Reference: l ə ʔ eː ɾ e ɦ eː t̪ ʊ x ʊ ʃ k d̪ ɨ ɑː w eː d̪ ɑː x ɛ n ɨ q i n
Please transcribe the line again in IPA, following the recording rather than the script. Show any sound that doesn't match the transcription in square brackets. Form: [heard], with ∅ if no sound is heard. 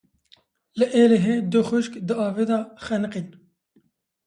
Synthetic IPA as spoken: l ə ʔ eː [l] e ɦ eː [d̪] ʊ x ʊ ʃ k d̪ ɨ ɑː [v] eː d̪ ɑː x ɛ n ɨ q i n